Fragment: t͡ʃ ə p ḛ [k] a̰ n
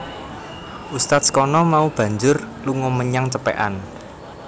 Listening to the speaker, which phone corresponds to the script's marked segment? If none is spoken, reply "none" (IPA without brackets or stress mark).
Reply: ʔ